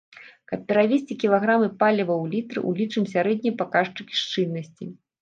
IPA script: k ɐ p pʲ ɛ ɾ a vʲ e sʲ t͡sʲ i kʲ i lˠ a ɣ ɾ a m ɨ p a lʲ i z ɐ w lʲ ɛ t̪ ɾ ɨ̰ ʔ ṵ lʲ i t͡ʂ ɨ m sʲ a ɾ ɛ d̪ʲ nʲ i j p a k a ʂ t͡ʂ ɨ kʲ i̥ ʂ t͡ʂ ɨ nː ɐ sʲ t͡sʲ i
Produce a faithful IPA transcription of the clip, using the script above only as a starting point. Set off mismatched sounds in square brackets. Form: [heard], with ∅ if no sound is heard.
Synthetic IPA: k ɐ p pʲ ɛ ɾ a vʲ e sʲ t͡sʲ i kʲ i lˠ a ɣ ɾ a m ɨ p a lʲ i [v] ɐ w lʲ [i] t̪ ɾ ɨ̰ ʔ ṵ lʲ i t͡ʂ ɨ m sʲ a ɾ ɛ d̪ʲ nʲ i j p a k a ʂ t͡ʂ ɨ kʲ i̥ ʂ t͡ʂ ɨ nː ɐ sʲ t͡sʲ i